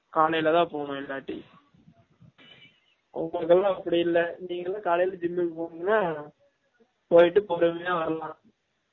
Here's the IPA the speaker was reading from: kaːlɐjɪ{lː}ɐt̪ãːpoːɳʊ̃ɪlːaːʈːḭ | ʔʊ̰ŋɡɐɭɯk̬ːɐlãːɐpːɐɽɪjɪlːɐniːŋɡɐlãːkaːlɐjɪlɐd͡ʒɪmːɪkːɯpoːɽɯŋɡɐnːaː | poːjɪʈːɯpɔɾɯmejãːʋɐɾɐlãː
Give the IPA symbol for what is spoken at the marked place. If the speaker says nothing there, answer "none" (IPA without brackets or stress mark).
l